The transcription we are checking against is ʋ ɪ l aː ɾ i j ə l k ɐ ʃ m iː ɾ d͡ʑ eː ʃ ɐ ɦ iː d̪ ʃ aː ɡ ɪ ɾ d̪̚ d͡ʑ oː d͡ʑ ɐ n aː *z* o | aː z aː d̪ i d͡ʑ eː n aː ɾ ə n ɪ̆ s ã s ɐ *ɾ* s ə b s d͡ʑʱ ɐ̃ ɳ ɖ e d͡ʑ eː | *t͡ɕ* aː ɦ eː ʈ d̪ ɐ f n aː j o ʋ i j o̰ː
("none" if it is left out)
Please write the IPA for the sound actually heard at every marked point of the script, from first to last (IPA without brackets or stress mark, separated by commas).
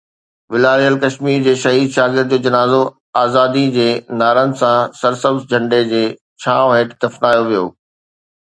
z, ɾ, t͡ɕʰ